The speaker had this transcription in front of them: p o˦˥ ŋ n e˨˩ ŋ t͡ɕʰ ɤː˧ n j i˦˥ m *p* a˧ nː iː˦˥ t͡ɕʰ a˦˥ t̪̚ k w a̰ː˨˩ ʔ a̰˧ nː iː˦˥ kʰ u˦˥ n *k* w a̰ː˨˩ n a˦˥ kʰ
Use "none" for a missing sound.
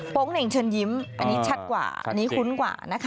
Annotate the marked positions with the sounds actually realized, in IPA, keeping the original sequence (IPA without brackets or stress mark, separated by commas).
ʔ, k